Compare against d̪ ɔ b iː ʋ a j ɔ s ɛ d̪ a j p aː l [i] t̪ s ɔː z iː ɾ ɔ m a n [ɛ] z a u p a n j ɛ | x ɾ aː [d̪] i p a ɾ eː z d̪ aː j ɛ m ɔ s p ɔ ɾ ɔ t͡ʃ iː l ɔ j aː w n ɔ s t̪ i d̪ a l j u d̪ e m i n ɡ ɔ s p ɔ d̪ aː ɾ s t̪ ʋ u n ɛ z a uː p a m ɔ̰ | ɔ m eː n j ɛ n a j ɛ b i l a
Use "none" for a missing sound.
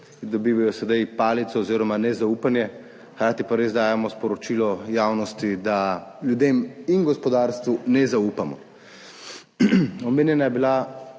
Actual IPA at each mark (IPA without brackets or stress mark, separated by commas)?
i, ɛ, t̪